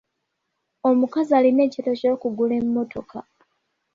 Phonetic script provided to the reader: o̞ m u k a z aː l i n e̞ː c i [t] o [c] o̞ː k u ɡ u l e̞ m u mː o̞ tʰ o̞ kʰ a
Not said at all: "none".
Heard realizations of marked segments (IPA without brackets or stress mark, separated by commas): t, c